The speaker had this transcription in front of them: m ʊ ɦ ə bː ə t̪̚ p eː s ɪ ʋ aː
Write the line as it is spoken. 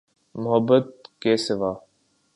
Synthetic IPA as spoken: m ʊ ɦ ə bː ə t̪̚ k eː s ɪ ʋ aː